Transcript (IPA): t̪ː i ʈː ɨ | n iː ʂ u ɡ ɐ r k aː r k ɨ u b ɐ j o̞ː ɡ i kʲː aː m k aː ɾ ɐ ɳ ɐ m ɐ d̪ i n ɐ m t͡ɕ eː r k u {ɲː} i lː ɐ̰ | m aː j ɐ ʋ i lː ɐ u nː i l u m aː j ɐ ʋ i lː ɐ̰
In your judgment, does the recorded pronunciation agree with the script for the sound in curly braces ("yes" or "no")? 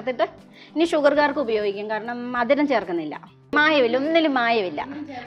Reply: no